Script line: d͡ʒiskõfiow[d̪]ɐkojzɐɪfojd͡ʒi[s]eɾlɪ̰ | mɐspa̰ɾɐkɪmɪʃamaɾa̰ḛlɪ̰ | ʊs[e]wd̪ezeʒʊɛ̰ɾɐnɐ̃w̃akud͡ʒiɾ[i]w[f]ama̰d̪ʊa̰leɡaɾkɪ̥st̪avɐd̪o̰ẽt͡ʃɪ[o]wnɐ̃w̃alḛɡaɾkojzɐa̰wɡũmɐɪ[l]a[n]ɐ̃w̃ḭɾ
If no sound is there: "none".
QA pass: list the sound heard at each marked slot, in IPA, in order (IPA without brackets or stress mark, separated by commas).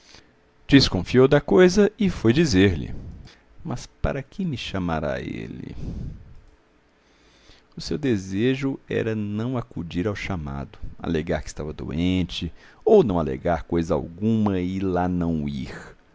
d̪, z, e, a, ʃ, o, l, n